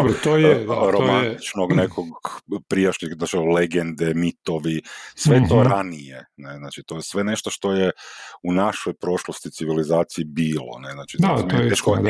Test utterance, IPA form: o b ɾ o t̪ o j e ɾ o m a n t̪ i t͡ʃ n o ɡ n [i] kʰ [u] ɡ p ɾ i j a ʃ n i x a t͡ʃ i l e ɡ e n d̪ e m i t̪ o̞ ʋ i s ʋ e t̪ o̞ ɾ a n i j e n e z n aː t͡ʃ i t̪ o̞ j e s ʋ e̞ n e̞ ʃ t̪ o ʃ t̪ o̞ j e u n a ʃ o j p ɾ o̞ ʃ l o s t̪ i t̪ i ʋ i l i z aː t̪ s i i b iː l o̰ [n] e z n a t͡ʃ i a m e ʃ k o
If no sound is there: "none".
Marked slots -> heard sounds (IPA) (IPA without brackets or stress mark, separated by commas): e, o, n